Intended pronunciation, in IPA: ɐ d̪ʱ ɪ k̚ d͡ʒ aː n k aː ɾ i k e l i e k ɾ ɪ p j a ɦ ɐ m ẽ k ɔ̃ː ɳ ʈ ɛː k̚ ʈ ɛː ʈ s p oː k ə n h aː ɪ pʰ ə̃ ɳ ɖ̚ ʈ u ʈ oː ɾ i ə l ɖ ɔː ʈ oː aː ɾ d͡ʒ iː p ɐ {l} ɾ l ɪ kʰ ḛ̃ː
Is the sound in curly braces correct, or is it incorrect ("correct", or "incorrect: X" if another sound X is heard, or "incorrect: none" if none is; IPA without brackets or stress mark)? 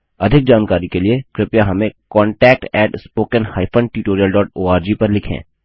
incorrect: none